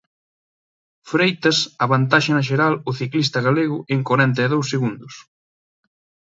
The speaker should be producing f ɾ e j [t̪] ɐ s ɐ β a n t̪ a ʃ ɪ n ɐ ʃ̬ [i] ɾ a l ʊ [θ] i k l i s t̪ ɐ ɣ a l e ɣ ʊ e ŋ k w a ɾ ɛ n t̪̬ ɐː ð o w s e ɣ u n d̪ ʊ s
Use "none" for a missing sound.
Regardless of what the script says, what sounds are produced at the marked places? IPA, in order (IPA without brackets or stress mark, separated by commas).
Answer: t̪, e, θ